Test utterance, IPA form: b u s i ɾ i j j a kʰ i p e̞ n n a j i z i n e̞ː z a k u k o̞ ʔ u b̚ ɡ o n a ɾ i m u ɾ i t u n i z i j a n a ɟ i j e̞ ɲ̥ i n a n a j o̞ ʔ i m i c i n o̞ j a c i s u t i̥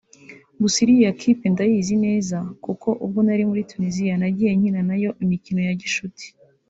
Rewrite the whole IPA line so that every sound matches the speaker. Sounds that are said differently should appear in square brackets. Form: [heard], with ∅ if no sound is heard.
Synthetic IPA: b u s i ɾ i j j a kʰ i p e̞ n [d] a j i z i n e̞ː z a k u k o̞ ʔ u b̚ ɡ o n a ɾ i m u ɾ i t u n i z i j a n a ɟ i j e̞ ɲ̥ i n a n a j o̞ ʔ i m i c i n o̞ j a [ɟ] i [ʃ] u t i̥